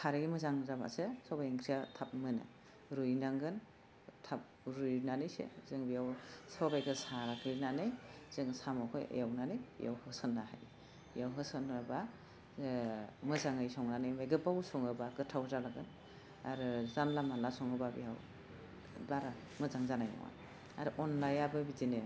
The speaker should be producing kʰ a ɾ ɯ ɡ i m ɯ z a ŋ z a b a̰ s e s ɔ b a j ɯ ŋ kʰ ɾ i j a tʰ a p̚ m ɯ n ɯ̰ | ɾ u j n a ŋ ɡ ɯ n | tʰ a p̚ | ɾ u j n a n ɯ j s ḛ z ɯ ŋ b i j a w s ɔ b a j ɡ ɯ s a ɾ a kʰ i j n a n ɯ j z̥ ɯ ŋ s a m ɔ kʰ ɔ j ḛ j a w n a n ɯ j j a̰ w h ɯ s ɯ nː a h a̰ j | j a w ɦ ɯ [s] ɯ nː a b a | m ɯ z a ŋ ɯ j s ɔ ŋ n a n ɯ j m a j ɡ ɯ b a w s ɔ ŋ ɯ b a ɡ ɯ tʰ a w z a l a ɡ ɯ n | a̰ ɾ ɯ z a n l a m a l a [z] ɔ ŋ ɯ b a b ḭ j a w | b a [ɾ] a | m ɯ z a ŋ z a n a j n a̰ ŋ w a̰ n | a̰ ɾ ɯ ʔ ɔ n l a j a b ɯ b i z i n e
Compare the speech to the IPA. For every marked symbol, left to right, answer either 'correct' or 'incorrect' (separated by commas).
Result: correct, incorrect, correct